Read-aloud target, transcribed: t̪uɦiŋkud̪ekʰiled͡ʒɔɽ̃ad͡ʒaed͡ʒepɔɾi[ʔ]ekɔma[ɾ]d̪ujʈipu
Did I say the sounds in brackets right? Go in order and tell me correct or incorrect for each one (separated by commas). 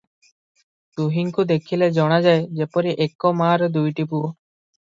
correct, correct